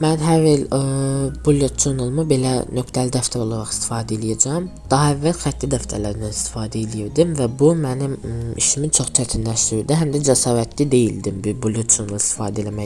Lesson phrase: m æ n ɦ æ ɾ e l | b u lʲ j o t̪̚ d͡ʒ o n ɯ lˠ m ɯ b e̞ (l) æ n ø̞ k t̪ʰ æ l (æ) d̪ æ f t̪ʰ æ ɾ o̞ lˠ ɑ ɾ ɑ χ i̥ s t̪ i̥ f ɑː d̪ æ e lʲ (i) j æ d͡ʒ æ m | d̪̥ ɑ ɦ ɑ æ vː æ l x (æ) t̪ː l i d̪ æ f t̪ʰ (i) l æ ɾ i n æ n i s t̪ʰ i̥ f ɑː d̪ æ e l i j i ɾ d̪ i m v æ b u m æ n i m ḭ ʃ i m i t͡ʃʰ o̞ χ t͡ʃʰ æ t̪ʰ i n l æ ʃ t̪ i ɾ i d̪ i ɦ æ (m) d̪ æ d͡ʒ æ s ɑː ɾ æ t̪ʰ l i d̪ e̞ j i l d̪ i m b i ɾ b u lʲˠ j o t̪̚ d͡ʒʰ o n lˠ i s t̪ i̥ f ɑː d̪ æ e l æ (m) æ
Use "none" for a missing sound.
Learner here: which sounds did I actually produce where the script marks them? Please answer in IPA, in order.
l, i, i, æ, æ, m, m

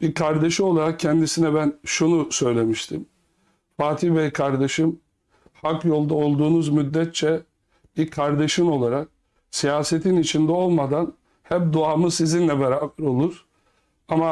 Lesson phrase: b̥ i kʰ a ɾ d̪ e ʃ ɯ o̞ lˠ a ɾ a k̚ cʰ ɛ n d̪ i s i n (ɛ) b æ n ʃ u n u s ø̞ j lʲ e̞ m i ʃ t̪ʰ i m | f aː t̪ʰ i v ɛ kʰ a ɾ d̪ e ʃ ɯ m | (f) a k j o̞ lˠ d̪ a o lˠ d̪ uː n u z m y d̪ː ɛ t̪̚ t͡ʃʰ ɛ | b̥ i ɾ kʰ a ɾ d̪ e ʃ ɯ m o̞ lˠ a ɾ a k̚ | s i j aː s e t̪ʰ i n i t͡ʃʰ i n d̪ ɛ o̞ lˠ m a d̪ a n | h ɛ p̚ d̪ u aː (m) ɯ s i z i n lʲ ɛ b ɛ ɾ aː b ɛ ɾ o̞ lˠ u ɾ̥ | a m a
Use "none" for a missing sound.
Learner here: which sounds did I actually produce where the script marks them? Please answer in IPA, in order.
ɛ, h, m

